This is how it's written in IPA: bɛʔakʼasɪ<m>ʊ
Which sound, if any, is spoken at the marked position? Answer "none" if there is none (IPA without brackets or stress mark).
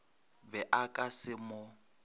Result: m